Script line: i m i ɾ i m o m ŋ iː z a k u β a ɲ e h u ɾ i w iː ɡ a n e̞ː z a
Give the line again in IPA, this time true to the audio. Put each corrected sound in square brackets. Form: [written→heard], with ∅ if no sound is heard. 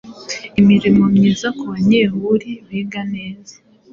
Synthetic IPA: i m i ɾ i m o m [ŋ→ɲ] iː z a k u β a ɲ e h u ɾ i [w→β] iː ɡ a n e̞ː z a